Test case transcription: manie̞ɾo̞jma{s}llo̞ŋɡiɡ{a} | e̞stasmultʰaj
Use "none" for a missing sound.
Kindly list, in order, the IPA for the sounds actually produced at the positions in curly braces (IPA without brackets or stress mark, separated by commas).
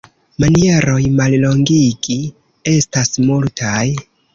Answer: none, i